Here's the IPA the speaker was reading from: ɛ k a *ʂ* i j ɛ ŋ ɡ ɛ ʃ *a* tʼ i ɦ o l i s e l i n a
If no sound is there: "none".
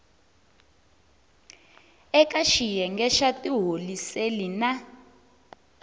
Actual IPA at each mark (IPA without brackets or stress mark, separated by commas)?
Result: ʃ, a